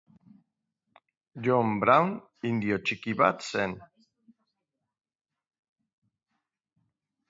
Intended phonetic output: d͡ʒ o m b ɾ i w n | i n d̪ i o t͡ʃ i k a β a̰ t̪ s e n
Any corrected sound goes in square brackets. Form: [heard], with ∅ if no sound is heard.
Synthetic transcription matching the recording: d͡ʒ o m b ɾ [a] w n | i n d̪ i o t͡ʃ i k [i] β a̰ t̪ s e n

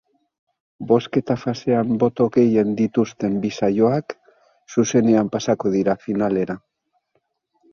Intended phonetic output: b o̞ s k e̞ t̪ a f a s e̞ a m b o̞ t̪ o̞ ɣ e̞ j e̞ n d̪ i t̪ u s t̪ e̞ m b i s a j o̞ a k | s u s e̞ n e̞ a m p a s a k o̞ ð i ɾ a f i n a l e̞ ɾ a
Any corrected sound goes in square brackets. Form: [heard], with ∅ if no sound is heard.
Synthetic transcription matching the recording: b o̞ s k e̞ t̪ a f a s e̞ a m b o̞ t̪ o̞ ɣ e̞ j e̞ n d̪ i t̪ u s t̪ e̞ m b i s a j o̞ a k | s u s e̞ n e̞ a m p a s a k o̞ ð i ɾ a f i n a l e̞ ɾ a

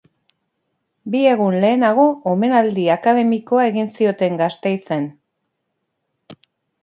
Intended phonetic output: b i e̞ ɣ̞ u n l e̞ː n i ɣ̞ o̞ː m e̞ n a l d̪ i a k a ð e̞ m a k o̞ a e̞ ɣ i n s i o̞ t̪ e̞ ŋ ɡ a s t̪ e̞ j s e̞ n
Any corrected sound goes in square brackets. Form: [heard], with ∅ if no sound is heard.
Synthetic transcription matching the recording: b i e̞ ɣ̞ u n l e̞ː n [a] ɣ̞ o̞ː m e̞ n a l d̪ i a k a ð e̞ m [i] k o̞ a e̞ ɣ i n s i o̞ t̪ e̞ ŋ ɡ a s t̪ e̞ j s e̞ n

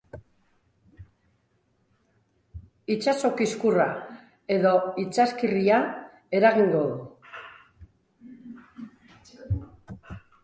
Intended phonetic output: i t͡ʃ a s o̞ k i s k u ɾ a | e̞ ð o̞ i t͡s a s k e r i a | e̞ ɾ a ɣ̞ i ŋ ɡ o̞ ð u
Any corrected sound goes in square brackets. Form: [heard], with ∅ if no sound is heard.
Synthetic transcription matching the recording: i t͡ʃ a s o̞ k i s k u [r] a | e̞ ð o̞ i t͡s a s k [i] r i a | e̞ ɾ a ɣ̞ i ŋ ɡ o̞ ð u

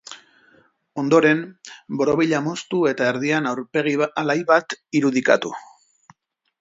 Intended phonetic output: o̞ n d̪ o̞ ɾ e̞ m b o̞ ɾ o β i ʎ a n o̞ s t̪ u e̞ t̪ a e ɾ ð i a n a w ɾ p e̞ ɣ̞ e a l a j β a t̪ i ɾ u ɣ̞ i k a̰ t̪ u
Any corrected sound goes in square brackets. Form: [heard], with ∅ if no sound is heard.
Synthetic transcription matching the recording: o̞ n d̪ o̞ ɾ e̞ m b o̞ ɾ o β i ʎ a [m] o̞ s t̪ u e̞ t̪ a e ɾ ð i a n a w ɾ p e̞ ɣ̞ [i] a l a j β a t̪ i ɾ u [ð̞] i k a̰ t̪ u

